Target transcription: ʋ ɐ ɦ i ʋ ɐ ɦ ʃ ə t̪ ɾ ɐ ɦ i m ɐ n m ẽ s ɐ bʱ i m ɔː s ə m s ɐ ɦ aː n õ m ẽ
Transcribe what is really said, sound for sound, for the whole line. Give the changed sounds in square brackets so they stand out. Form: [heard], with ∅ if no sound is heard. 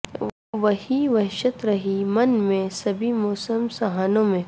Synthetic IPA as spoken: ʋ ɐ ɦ i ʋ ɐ ɦ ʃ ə t̪ ɾ ɐ ɦ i m ɐ n m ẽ s ɐ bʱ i m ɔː s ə m s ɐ ɦ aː n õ m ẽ